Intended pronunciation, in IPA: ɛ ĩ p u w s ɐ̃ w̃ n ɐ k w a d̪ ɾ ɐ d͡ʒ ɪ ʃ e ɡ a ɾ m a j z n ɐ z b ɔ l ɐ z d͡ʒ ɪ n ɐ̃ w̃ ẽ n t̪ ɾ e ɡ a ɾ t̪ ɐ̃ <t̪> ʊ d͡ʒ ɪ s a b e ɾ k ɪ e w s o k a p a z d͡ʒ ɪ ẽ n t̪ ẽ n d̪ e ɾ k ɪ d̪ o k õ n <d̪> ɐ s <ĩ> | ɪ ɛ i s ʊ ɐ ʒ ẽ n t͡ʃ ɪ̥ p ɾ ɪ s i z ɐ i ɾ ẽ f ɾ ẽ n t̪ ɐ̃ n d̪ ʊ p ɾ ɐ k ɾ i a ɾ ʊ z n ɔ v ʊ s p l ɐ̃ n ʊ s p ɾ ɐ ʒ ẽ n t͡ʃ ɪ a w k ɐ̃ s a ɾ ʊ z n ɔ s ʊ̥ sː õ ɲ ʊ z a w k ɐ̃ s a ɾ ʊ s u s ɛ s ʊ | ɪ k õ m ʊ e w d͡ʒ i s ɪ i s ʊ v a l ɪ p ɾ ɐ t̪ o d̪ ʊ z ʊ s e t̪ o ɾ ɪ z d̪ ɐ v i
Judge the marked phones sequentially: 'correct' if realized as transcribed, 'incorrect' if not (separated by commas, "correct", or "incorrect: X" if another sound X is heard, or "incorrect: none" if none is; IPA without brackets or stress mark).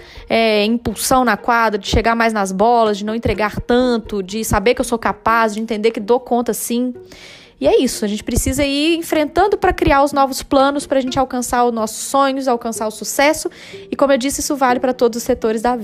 correct, incorrect: t̪, correct